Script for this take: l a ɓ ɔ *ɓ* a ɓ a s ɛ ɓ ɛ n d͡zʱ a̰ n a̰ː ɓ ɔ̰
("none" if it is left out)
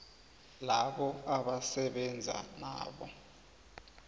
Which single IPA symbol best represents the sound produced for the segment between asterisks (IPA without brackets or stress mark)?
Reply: none